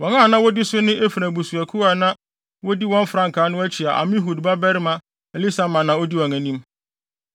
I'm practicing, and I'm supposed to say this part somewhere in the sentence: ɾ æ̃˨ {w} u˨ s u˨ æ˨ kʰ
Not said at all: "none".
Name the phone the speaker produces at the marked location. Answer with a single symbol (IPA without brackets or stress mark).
b